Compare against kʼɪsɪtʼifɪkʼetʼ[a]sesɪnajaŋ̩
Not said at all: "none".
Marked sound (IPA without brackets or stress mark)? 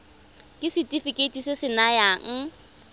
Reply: i